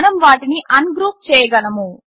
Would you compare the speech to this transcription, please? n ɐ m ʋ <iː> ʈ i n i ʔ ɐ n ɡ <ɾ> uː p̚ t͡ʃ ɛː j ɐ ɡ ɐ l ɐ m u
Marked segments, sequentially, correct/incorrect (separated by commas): incorrect, correct